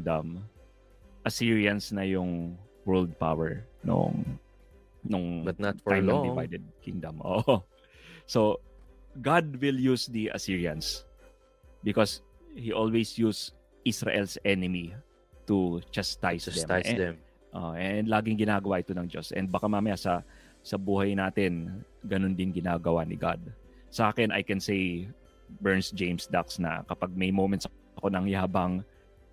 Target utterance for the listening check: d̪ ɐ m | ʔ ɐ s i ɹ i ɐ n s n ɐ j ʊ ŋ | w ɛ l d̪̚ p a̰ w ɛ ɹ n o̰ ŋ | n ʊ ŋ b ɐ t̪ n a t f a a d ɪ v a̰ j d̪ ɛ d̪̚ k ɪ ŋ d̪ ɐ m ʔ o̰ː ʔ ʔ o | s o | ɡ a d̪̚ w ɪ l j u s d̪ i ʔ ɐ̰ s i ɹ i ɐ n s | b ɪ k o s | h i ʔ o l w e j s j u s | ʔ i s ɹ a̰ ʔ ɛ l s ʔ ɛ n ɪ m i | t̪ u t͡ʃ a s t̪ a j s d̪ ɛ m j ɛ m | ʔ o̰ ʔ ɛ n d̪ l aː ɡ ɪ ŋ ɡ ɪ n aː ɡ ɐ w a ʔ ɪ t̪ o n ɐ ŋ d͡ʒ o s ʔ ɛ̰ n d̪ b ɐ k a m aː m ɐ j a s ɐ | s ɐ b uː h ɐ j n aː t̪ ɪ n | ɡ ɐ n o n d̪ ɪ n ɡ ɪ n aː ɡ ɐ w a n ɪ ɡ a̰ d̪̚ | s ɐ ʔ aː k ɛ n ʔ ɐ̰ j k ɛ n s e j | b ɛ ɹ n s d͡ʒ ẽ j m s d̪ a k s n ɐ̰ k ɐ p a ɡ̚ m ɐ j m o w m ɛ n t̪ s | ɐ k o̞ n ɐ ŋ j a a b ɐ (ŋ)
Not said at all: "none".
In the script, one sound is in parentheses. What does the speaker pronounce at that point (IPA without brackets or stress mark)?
ŋ